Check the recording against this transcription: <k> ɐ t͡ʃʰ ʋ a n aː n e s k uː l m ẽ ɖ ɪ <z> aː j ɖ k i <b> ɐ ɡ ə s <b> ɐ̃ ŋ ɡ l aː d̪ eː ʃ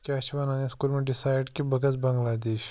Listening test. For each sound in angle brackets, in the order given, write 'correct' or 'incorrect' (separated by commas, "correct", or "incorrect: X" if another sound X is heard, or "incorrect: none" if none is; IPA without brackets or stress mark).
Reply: correct, incorrect: s, correct, correct